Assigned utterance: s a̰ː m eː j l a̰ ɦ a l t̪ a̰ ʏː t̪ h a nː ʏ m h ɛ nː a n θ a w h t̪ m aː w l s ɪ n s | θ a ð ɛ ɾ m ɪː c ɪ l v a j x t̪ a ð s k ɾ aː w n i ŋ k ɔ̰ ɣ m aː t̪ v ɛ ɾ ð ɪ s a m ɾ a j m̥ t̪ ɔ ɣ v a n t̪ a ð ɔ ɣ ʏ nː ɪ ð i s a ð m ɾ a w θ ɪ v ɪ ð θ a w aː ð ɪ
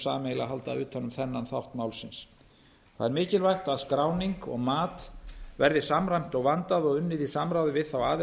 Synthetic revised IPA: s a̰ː m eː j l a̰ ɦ a l t̪ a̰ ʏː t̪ h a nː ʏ m θ ɛ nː a n θ a w h t̪ m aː w l s ɪ n s | θ a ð ɛ ɾ m ɪː c ɪ l v a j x t̪ a ð s k ɾ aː w n i ŋ k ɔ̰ ɣ m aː t̪ v ɛ ɾ ð ɪ s a m ɾ a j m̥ t̪ ɔ ɣ v a n t̪ a ð ɔ ɣ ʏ nː ɪ ð i s a m ɾ a w ð ɪ v ɪ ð θ a w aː ð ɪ